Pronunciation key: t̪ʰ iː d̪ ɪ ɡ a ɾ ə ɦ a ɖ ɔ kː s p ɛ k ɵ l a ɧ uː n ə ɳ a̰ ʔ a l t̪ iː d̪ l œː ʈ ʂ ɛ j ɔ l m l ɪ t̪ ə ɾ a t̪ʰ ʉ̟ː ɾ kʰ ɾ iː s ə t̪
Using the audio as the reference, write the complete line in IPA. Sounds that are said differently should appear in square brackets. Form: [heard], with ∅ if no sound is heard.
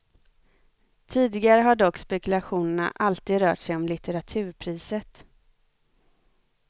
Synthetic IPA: t̪ʰ iː d̪ ɪ ɡ a ɾ ə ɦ a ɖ ɔ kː s p ɛ k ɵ l a ɧ uː n ə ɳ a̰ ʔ a l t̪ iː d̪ [ɾ] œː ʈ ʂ ɛ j ɔ [∅] m l ɪ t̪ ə ɾ a t̪ʰ ʉ̟ː ɾ [pʰ] ɾ iː s ə t̪

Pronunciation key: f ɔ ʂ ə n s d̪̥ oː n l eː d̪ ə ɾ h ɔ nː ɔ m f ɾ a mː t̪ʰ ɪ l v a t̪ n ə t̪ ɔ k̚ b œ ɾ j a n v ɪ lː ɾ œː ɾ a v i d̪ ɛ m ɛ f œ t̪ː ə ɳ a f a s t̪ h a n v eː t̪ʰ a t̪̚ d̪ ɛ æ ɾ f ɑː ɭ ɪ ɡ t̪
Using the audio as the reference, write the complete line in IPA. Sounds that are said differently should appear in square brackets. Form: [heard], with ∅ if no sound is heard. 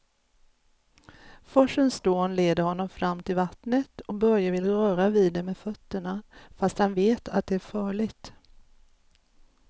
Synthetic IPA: f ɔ ʂ ə n s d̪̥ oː n l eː d̪ ə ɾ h ɔ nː ɔ m f ɾ a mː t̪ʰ ɪ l v a t̪ n ə t̪ ɔ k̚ b œ ɾ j a [∅] v ɪ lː ɾ œː ɾ a v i d̪ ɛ m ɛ f œ t̪ː ə ɳ a f a s t̪ h a n v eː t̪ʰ a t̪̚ d̪ ɛ æ ɾ f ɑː ɭ ɪ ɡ t̪

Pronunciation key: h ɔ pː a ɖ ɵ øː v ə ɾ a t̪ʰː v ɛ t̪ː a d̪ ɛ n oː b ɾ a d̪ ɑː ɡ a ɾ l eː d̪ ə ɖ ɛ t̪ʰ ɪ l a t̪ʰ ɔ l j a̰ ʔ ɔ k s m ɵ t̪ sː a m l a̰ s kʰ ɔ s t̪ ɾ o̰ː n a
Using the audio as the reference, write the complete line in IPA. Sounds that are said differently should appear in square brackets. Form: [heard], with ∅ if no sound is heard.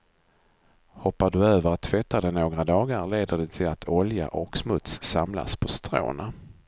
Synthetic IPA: h ɔ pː a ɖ ɵ øː v ə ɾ a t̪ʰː v ɛ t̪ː a d̪ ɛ n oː [ɡ] ɾ a d̪ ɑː ɡ a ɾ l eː d̪ ə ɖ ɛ t̪ʰ ɪ l a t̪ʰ ɔ l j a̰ ʔ ɔ k s m ɵ t̪ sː a m l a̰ s [pʰ] ɔ s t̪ ɾ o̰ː n a

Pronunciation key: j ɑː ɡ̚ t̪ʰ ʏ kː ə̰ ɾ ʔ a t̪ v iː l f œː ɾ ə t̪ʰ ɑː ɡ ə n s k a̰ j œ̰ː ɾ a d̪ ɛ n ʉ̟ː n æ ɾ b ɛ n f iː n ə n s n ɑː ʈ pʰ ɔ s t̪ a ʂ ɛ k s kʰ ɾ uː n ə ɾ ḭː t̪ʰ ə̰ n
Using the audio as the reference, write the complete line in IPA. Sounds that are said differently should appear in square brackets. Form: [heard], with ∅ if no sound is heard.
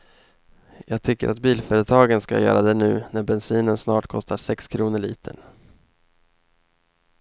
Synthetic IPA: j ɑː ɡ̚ t̪ʰ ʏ kː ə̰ ɾ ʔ a t̪ [b] iː l f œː ɾ ə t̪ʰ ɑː ɡ ə n s k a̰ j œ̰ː ɾ a d̪ ɛ n ʉ̟ː n æ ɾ b ɛ n [s] iː n ə n s n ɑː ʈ [kʰ] ɔ s t̪ a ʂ ɛ k s kʰ ɾ uː n ə [ɭ] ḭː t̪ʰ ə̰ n

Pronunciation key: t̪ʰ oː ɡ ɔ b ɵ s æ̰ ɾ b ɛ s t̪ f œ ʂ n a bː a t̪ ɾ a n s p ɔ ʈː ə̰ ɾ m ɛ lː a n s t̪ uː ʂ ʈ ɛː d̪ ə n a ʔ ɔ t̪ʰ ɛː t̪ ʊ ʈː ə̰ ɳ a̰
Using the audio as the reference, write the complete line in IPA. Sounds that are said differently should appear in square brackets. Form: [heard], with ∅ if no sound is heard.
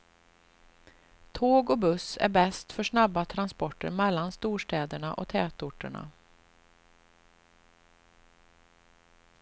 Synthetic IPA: t̪ʰ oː ɡ ɔ b ɵ s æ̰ ɾ b ɛ s t̪ f œ ʂ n a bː a [t̪ʰ] ɾ a n s p ɔ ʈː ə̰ ɾ m ɛ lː a n s t̪ uː ʂ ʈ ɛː d̪ ə [ɳ] a ʔ ɔ t̪ʰ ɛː t̪ ʊ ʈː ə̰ ɳ a̰

